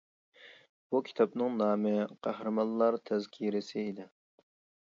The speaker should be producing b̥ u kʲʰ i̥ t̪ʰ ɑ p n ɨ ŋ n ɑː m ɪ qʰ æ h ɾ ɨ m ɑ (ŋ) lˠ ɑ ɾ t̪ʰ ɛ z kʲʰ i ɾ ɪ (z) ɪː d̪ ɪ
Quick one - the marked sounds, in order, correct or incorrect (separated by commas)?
incorrect, incorrect